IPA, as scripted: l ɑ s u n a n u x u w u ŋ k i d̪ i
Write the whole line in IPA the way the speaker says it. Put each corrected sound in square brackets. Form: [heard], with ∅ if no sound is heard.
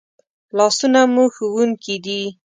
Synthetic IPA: l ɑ s u n a [m] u x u w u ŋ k i d̪ i

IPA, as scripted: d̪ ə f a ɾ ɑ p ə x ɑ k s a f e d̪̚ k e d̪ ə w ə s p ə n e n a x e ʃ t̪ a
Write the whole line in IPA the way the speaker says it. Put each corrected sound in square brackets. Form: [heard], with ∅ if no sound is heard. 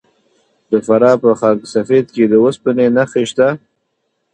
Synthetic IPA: d̪ ə f a ɾ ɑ p ə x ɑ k s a f e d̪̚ k e d̪ ə w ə s p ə n e n a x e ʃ t̪ a

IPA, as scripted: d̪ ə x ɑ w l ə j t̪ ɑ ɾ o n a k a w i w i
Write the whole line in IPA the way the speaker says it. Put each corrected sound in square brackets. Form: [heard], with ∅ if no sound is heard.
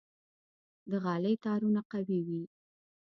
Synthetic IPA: d̪ ə [ɣ] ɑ [∅] l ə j t̪ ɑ ɾ [u] n a [q] a w i w i

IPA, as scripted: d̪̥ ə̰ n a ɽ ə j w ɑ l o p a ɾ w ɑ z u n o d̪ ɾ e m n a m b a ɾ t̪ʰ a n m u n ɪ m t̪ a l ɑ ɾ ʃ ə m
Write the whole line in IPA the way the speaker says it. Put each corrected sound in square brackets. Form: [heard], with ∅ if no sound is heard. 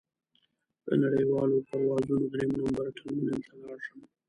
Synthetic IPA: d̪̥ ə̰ n a ɽ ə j w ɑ l o p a ɾ w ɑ z u n o d̪ ɾ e m n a m b a ɾ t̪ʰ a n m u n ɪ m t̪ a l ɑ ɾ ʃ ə m

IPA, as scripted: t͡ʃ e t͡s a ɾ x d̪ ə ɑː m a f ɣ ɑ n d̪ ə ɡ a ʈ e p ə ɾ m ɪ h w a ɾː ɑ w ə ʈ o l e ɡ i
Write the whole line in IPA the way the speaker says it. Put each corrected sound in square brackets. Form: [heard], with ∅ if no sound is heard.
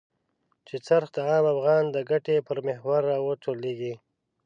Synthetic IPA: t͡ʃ e t͡s a ɾ x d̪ ə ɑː m a f ɣ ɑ n d̪ ə ɡ a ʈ e p ə ɾ m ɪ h w a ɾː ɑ w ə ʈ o l e ɡ i

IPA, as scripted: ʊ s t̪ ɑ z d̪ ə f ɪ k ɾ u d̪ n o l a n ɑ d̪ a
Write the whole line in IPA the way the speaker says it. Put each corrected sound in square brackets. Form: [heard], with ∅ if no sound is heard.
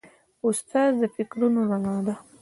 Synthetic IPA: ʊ s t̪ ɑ z d̪ ə f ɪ k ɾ u [∅] n o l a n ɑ d̪ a

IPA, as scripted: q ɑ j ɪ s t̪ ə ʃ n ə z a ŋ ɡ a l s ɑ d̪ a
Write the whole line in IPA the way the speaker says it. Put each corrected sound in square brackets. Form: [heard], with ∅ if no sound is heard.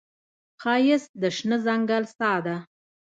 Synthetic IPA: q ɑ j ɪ s [d̪] ə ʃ n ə z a ŋ ɡ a l s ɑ d̪ a

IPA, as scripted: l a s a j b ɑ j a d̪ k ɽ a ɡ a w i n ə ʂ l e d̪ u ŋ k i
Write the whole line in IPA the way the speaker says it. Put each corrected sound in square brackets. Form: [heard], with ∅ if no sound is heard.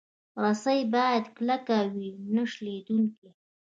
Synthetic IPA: [ɾ] a s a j b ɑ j a d̪ k [l] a [k] a w i n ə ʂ l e d̪ u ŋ k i

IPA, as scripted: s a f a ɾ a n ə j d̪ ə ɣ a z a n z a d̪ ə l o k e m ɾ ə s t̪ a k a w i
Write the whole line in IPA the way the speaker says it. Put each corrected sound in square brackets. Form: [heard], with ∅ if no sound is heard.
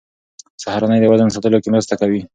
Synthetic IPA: s a [h] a ɾ a n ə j d̪ ə [w] a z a n [s] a [t̪] ə l o k e m ɾ ə s t̪ a k a w i

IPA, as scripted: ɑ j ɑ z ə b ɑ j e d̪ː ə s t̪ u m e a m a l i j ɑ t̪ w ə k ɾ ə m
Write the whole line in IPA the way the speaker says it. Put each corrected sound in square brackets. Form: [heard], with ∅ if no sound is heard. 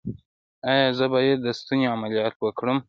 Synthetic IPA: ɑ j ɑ z ə b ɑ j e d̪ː ə s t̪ u [n] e a m a l i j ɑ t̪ w ə k [ɽ] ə m

